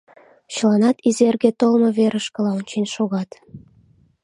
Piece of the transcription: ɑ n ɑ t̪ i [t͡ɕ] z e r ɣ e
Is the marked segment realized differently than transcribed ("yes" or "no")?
yes